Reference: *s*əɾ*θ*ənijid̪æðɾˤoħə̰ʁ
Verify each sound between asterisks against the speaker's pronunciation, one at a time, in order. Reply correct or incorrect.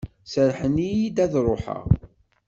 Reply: correct, incorrect: ħ

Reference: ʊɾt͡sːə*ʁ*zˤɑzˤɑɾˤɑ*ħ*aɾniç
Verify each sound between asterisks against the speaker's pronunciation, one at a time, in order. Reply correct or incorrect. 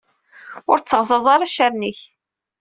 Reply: correct, incorrect: ʃ

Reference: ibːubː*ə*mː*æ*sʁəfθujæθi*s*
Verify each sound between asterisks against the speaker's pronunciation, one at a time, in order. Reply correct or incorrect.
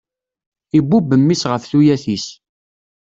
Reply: correct, incorrect: i, correct

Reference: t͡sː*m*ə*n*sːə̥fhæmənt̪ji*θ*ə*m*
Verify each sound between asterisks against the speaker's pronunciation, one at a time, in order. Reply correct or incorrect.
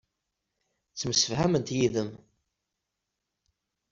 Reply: correct, incorrect: none, incorrect: ð, correct

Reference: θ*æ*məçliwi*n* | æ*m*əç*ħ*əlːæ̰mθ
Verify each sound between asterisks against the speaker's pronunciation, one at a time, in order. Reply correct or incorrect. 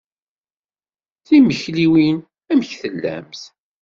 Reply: incorrect: i, correct, correct, incorrect: θ

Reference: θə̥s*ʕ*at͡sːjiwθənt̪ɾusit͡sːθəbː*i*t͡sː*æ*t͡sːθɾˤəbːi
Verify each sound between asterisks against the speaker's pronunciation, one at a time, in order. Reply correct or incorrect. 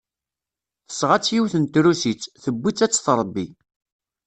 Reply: incorrect: ʁ, correct, correct

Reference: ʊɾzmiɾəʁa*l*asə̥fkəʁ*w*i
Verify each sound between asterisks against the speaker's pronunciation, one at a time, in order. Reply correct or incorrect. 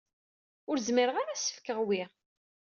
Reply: incorrect: ɾ, correct

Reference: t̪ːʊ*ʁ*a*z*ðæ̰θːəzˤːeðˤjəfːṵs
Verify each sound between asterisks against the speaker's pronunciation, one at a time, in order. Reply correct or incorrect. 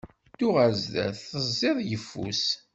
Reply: correct, correct

